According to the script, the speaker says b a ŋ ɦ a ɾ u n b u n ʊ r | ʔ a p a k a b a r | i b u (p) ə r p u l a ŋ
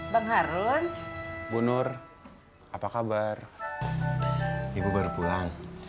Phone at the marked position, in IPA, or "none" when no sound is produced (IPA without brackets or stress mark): b